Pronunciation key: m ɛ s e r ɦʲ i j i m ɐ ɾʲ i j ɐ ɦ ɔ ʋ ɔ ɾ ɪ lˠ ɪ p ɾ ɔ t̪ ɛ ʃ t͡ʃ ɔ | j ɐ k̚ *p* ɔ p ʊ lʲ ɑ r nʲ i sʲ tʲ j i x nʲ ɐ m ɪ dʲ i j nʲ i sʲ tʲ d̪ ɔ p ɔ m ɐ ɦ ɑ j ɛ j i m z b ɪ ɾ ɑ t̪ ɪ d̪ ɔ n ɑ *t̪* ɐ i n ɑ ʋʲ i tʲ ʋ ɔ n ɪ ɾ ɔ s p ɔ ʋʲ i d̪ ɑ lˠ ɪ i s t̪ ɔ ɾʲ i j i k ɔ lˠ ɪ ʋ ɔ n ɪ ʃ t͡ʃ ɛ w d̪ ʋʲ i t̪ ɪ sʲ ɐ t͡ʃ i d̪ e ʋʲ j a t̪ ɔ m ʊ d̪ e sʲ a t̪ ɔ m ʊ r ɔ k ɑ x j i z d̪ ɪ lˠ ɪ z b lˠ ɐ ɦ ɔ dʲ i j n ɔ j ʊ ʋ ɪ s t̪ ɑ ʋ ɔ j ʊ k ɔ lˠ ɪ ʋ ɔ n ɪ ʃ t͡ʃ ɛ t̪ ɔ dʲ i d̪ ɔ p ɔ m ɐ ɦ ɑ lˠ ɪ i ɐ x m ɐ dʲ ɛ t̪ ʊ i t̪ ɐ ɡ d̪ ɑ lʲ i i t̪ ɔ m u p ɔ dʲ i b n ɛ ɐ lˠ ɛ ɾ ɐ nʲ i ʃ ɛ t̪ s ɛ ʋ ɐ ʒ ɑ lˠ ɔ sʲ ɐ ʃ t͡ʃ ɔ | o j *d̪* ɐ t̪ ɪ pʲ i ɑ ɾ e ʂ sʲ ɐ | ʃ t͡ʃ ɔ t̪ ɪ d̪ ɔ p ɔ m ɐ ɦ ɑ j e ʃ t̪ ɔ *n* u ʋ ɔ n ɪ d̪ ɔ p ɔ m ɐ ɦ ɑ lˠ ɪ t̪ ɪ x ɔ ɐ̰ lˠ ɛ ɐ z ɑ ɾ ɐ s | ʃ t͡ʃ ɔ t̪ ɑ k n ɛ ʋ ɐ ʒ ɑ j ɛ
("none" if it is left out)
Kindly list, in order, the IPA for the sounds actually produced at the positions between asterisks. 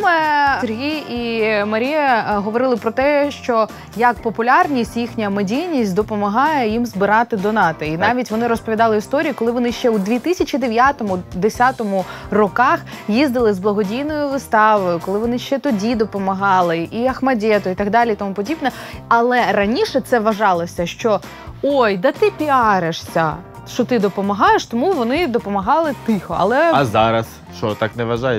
p, t̪, d̪, m

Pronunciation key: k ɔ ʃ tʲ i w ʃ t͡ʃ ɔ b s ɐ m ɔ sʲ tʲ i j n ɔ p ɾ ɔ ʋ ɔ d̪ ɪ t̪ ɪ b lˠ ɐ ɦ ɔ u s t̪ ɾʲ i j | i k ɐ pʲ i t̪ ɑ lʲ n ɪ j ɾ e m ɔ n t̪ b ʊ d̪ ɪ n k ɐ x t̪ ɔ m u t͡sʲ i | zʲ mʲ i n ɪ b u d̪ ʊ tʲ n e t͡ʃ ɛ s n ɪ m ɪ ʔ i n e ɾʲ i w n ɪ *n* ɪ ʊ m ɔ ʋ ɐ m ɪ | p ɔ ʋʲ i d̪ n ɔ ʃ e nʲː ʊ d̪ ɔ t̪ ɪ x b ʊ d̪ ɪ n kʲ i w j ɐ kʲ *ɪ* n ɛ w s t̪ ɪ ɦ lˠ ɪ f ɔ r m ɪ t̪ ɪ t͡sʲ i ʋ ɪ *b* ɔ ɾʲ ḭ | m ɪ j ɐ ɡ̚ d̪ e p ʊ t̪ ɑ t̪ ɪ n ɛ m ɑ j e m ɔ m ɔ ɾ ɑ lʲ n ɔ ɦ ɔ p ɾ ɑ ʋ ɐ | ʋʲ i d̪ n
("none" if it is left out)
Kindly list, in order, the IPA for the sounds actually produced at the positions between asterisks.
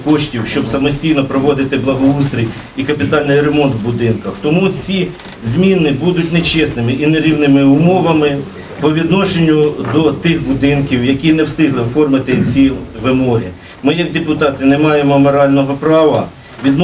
m, i, m

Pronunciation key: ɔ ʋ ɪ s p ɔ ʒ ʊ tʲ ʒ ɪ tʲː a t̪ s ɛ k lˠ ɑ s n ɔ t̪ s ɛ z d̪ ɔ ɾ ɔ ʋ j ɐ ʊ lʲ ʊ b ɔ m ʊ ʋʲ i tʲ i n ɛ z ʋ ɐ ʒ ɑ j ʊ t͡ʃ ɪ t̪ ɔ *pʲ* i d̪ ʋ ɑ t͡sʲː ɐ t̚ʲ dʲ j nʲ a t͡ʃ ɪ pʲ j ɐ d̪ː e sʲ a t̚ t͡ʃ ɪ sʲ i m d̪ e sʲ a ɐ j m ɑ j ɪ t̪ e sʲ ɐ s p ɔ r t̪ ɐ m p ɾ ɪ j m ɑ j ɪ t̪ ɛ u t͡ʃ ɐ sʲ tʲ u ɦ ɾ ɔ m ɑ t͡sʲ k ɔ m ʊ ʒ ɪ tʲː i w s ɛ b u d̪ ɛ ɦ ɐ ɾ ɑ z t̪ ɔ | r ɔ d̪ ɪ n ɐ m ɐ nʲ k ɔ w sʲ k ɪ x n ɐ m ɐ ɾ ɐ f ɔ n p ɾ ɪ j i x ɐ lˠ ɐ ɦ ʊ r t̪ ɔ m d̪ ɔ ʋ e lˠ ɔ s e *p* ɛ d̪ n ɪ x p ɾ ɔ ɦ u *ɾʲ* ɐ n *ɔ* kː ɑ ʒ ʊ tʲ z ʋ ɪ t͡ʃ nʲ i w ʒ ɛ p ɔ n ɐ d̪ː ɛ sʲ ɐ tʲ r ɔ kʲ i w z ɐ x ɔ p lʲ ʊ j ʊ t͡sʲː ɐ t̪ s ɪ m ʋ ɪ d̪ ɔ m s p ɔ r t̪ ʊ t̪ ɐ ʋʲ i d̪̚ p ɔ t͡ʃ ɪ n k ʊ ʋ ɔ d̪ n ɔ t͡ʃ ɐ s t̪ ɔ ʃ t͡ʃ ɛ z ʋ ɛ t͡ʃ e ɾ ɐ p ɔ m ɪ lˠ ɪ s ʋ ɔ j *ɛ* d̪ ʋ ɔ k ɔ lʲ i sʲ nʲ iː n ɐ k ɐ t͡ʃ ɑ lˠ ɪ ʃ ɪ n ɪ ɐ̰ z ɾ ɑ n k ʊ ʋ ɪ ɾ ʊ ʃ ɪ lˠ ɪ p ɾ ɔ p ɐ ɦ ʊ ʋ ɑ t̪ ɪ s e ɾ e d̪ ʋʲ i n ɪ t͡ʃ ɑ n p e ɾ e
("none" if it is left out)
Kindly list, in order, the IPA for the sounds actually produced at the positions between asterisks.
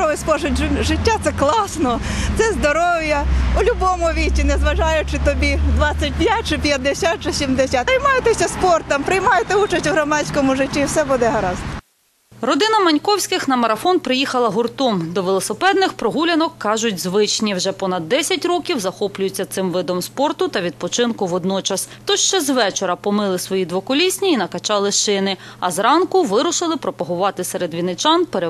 bʲ, p, lʲ, ɔ, i

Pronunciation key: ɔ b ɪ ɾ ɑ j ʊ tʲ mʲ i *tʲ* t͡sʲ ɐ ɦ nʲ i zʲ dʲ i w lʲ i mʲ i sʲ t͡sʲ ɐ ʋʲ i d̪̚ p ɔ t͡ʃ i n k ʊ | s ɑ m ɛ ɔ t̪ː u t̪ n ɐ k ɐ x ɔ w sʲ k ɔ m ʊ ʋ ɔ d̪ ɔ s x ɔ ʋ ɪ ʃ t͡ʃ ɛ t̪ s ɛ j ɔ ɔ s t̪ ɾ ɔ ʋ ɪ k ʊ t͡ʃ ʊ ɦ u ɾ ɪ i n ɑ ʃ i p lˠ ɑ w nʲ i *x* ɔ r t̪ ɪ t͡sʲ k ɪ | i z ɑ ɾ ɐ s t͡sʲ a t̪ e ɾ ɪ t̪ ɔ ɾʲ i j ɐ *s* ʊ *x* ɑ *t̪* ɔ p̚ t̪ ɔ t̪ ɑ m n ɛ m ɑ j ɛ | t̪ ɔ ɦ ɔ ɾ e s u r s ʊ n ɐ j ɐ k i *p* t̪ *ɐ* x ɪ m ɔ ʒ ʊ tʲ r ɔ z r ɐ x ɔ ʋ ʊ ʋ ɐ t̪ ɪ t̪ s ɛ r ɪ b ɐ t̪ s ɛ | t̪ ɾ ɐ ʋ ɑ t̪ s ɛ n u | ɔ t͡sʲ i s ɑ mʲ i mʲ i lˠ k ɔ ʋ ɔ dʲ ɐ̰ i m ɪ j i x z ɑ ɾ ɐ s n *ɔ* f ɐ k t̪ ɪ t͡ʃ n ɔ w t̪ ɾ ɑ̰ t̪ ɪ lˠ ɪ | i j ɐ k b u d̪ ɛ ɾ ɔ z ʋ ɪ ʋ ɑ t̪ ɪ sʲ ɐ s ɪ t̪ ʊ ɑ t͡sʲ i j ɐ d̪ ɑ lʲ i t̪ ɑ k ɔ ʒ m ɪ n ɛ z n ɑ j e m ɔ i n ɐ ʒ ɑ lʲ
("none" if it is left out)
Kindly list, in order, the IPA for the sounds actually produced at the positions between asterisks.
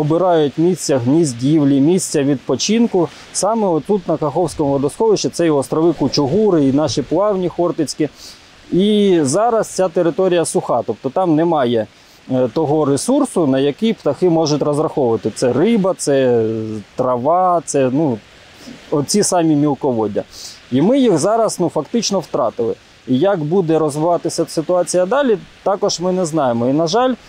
sʲ, x, s, x, t̪, p, ɐ, u

